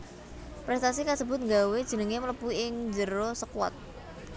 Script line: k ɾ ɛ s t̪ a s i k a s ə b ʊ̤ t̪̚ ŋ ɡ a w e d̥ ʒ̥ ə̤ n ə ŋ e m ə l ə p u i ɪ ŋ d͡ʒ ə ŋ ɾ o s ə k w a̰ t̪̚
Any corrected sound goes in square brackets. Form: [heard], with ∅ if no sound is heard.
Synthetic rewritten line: [p] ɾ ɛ s t̪ a s i k a s ə b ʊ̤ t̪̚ ŋ ɡ a w e d̥ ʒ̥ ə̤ n ə ŋ e m ə l ə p u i ɪ ŋ d͡ʒ ə [∅] ɾ o s ə k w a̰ t̪̚